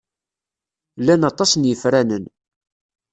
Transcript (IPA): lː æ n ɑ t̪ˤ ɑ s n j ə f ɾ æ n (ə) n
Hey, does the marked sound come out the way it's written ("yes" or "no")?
yes